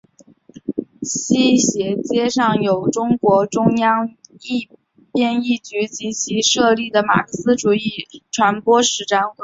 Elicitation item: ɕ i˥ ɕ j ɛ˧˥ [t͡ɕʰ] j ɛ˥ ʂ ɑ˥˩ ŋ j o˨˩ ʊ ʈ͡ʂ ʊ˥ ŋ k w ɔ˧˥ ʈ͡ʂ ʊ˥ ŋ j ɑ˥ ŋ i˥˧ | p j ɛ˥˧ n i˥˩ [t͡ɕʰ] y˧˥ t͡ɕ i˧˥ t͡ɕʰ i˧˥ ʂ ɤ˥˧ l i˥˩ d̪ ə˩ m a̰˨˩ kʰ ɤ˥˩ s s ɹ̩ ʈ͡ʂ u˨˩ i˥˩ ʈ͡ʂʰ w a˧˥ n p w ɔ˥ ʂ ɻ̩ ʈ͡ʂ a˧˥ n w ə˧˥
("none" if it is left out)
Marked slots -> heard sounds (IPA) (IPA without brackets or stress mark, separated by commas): t͡ɕ, t͡ɕ